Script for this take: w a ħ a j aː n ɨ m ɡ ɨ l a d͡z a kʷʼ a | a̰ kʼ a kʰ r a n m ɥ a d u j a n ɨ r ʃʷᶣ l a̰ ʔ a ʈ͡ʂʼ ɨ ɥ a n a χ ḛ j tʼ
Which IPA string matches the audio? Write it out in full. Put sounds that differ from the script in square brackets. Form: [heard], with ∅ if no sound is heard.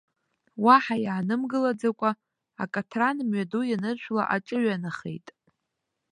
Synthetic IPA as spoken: w a ħ a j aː n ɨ m ɡ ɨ l a d͡z a kʷʼ a | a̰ kʼ a [tʰ] r a n m ɥ a d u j a n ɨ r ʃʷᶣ l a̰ ʔ a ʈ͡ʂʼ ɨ ɥ a n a χ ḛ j tʼ